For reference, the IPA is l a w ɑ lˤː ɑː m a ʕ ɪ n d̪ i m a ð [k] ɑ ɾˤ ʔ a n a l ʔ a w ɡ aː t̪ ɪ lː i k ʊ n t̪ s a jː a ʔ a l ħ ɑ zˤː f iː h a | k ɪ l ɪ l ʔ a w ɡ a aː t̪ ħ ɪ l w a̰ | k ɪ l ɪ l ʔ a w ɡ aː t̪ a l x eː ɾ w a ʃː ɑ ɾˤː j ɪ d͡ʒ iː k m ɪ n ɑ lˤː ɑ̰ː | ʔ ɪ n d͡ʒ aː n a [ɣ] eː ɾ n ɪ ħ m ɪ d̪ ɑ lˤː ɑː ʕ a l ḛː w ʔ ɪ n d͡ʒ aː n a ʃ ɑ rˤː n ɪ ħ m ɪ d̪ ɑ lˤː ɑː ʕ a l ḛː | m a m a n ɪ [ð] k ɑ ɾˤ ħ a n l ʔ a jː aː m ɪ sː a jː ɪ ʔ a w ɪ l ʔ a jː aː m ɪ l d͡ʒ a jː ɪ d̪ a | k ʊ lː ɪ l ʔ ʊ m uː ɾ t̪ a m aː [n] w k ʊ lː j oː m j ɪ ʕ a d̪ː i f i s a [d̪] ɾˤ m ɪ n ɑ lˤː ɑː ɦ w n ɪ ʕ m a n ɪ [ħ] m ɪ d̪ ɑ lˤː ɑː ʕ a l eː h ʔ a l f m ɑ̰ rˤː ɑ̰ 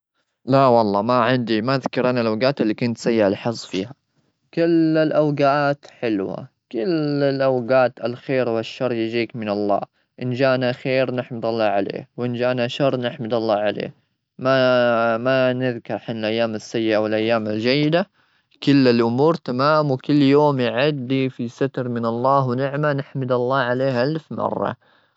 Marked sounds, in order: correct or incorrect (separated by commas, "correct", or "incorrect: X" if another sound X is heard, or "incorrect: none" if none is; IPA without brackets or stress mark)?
correct, incorrect: x, correct, incorrect: m, incorrect: t̪, correct